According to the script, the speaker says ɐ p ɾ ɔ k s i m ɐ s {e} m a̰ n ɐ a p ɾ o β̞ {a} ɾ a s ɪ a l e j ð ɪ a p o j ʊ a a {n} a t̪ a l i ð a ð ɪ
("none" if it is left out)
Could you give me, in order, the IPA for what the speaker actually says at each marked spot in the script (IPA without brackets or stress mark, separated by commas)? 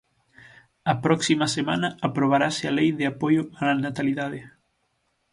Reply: e, a, n